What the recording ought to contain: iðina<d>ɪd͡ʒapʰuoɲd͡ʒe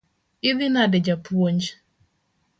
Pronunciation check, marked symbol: correct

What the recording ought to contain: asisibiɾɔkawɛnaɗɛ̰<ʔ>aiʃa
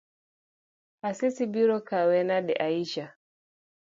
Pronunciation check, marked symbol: correct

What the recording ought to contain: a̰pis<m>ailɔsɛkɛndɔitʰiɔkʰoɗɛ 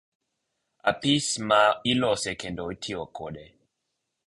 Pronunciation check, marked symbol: correct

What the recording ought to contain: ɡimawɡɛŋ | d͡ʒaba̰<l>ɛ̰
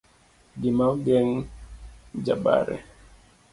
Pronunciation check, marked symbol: incorrect: ɾ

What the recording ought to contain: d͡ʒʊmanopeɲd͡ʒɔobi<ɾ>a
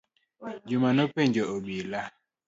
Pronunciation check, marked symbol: incorrect: l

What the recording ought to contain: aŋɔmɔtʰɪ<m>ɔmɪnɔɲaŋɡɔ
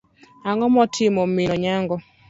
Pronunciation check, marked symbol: correct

